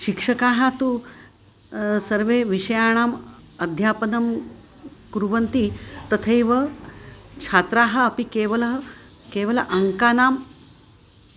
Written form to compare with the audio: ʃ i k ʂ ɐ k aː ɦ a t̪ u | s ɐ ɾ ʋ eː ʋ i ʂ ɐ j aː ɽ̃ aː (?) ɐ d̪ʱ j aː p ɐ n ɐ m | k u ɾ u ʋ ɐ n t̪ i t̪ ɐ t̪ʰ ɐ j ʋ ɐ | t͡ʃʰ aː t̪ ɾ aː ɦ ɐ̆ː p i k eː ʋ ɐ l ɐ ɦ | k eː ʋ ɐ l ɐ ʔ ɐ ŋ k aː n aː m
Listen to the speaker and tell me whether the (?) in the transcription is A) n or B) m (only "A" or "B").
B